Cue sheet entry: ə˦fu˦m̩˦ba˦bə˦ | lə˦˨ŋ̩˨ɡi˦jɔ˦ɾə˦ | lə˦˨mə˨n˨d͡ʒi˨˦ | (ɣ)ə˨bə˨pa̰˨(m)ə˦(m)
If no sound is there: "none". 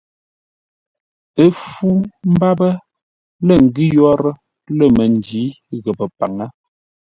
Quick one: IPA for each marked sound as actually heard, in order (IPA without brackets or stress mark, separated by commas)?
ɣ, ŋ, none